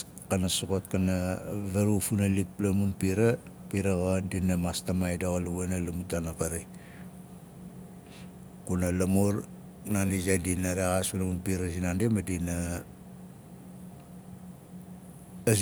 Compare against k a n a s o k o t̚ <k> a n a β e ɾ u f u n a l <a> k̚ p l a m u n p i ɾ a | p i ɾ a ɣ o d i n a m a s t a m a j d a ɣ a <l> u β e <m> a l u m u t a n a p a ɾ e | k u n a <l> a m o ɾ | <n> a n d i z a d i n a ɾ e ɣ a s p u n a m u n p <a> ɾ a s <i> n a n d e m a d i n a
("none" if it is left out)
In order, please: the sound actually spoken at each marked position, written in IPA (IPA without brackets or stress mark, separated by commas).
k, i, l, n, l, n, i, i